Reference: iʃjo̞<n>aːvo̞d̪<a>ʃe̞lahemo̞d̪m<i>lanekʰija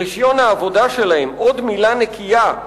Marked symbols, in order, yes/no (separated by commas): yes, yes, yes